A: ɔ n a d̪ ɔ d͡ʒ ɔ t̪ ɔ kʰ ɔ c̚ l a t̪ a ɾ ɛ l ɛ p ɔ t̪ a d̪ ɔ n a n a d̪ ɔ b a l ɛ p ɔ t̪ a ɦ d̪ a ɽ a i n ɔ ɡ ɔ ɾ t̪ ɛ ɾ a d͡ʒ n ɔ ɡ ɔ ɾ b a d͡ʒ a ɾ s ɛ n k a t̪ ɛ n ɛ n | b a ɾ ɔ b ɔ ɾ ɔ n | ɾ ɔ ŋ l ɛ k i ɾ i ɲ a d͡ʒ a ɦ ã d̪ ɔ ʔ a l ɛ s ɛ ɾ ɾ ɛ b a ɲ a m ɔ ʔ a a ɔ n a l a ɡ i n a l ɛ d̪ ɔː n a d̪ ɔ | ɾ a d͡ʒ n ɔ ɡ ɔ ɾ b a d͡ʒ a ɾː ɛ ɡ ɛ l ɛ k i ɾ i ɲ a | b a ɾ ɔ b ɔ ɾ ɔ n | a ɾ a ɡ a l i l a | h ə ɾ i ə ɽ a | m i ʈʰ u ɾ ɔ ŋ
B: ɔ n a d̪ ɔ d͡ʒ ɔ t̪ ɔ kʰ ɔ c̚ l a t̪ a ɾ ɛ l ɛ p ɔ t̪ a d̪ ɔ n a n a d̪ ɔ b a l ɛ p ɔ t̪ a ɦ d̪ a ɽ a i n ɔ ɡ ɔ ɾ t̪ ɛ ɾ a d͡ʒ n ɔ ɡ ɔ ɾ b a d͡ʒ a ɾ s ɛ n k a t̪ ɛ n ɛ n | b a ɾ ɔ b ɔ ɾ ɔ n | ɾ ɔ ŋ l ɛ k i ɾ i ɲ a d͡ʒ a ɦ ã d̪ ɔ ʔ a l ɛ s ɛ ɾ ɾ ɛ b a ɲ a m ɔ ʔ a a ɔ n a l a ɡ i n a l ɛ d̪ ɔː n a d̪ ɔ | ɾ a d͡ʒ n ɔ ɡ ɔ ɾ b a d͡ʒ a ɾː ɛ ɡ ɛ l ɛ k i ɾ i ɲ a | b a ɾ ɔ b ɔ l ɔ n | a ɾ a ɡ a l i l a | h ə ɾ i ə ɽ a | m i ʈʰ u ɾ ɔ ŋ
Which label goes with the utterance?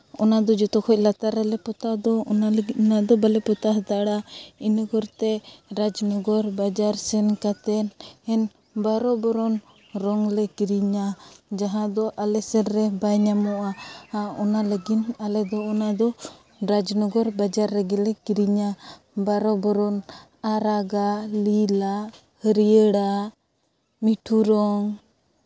A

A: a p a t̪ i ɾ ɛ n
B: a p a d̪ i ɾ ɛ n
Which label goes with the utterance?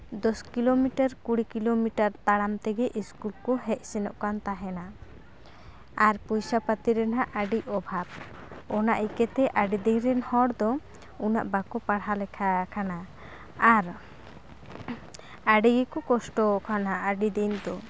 A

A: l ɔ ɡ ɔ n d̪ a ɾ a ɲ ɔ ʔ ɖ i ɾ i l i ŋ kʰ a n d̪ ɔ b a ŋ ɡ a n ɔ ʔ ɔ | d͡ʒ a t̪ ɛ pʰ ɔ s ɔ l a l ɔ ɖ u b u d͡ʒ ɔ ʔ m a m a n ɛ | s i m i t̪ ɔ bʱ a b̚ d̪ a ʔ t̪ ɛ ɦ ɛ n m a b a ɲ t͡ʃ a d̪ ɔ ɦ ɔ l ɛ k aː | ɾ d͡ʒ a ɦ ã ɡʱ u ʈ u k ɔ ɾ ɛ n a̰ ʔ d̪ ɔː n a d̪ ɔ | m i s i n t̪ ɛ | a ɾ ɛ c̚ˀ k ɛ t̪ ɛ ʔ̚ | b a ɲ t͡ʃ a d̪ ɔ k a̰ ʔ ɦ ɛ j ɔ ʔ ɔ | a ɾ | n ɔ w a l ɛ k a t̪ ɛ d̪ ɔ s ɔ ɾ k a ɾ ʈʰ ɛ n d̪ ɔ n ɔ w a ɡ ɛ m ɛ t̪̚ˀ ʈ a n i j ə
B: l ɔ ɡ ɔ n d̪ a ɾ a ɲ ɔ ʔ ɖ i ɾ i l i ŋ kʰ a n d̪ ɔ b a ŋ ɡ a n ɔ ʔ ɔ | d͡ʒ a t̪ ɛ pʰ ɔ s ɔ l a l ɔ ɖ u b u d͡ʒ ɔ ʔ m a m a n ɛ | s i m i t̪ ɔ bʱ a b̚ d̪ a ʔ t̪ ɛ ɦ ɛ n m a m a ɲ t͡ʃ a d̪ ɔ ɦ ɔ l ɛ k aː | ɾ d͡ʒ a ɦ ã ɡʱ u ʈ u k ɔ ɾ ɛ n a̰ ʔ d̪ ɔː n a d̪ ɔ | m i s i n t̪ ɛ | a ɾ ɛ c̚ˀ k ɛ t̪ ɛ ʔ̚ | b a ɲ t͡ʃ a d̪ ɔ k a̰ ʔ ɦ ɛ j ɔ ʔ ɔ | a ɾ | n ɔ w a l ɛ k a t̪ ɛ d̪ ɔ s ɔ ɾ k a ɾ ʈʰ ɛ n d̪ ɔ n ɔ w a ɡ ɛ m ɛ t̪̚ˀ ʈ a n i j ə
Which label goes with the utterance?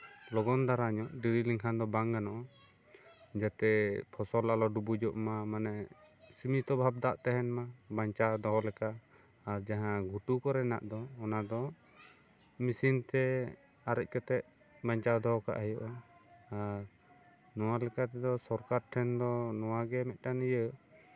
A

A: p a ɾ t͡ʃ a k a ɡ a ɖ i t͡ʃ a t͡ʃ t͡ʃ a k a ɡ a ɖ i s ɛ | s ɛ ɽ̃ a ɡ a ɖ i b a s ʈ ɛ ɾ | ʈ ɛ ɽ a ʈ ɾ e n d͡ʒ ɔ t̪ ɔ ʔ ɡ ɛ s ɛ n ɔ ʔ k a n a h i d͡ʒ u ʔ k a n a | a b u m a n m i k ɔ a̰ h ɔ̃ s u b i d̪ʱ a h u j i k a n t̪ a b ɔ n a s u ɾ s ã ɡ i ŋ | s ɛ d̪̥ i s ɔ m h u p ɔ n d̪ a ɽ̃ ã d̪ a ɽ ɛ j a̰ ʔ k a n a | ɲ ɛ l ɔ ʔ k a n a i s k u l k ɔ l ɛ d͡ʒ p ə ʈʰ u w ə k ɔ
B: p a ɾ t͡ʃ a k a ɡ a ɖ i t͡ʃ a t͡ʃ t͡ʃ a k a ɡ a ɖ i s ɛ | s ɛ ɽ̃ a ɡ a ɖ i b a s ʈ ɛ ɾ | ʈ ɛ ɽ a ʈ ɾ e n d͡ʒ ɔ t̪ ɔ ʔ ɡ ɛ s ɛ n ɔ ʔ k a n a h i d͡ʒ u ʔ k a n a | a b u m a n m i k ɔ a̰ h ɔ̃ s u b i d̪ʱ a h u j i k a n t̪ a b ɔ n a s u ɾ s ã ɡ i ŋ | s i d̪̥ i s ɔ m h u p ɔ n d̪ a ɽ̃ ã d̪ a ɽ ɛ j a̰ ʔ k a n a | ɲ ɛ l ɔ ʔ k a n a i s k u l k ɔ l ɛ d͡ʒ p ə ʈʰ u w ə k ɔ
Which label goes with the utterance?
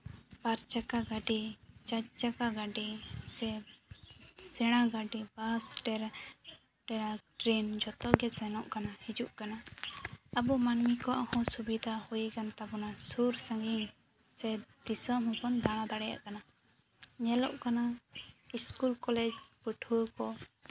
A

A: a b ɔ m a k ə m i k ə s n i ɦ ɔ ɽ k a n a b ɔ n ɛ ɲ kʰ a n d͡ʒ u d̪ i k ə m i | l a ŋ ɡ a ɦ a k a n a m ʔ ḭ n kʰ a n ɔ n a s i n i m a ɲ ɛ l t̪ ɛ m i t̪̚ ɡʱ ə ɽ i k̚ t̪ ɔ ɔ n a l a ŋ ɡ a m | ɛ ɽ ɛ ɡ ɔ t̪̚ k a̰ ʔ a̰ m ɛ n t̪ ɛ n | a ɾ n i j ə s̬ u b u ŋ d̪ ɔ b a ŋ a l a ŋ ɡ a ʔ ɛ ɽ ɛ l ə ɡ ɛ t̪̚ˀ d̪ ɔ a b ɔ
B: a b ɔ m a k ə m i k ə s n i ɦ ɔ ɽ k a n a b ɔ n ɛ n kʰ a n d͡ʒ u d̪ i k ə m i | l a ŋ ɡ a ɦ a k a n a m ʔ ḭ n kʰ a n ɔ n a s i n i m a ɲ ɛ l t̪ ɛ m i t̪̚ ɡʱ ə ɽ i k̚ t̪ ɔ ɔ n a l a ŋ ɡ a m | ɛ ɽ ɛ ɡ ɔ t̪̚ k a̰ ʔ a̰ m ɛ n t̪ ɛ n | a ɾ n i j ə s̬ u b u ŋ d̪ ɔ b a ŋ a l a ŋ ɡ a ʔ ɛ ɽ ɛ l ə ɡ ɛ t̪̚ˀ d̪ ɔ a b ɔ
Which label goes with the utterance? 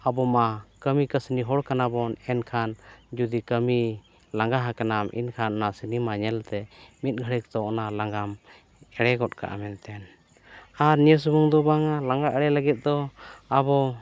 B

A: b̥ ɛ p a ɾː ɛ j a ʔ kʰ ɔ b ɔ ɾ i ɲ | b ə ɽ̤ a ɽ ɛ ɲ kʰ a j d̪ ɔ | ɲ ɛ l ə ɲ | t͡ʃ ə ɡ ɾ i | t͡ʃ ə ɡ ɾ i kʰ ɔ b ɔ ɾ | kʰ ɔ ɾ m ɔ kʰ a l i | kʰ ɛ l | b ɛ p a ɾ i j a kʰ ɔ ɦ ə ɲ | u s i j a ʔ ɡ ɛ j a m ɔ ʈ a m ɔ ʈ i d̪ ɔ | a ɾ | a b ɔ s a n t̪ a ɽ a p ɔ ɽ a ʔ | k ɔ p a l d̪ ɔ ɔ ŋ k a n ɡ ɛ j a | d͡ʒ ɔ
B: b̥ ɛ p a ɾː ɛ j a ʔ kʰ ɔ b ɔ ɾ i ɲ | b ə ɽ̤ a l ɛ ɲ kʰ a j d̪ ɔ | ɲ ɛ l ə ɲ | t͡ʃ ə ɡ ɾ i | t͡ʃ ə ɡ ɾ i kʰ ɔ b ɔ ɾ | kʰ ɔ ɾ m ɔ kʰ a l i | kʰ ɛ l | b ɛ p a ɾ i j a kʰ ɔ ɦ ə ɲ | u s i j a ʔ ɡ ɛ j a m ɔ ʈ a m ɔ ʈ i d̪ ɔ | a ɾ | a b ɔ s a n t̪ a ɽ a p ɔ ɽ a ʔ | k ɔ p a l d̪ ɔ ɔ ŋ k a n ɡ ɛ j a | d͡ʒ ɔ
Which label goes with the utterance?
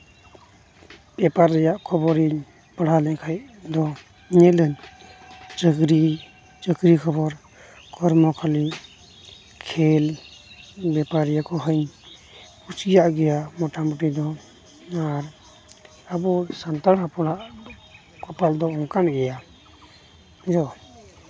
B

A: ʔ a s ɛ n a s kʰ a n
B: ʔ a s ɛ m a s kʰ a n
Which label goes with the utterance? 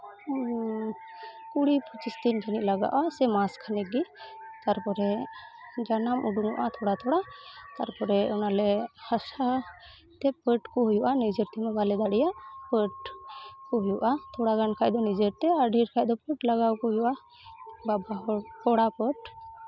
B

